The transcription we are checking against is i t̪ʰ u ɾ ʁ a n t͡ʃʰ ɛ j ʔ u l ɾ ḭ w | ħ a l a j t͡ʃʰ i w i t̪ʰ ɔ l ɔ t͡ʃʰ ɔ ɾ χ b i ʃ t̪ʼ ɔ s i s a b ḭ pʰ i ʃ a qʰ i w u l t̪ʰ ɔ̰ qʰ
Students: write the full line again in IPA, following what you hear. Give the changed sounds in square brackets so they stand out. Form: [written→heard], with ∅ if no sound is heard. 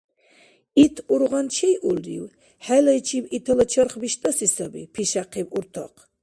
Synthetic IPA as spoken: i t̪ʰ u ɾ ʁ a n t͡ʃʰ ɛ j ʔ u l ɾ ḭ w | ħ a l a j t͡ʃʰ i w i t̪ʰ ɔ l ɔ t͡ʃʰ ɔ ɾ χ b i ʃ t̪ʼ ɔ s i s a b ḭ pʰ i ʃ a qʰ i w u [l→ɾ] t̪ʰ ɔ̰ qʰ